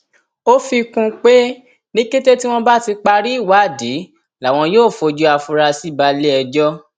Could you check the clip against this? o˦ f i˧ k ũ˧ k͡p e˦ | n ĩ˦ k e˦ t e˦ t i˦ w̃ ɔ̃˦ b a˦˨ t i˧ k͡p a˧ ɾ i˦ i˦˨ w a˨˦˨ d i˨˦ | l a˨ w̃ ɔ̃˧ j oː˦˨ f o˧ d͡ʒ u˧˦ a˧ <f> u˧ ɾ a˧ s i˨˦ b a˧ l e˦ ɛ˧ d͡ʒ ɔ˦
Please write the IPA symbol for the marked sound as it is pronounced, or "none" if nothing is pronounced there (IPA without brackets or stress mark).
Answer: f